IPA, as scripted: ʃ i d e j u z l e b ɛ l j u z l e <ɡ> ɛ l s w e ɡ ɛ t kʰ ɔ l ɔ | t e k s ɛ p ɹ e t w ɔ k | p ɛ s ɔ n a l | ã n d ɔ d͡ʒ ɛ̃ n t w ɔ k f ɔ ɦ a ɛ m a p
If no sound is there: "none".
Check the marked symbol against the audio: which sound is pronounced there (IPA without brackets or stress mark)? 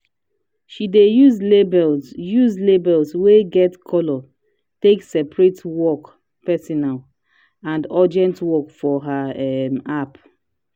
b